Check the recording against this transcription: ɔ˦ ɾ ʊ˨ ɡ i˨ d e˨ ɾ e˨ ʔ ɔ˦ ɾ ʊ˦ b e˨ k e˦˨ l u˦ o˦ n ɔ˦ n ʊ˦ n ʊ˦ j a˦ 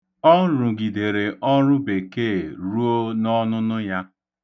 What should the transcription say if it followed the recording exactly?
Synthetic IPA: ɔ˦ ɾ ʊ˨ ɡ i˨ d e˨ ɾ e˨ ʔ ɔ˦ ɾ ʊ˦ b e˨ k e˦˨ ɾ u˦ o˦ n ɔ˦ n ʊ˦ n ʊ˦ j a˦